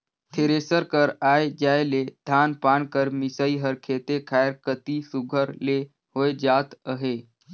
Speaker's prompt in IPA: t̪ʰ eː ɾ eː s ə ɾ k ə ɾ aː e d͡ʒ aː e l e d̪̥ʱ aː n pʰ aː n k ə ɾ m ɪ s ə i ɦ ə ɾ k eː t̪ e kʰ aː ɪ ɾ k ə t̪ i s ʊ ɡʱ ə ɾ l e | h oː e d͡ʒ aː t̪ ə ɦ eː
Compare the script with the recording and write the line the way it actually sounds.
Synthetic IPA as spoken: t̪ʰ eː ɾ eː s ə ɾ k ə ɾ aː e d͡ʒ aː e l e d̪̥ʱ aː n p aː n k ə ɾ m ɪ s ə i ɦ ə ɾ kʰ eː t̪ e kʰ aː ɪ ɾ k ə t̪ i s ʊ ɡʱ ə ɾ l e | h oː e d͡ʒ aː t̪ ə ɦ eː